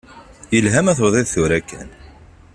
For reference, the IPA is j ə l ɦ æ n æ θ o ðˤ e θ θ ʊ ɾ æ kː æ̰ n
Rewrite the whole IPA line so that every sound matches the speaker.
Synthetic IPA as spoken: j ə l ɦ æ m æ θ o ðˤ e ð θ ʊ ɾ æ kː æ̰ n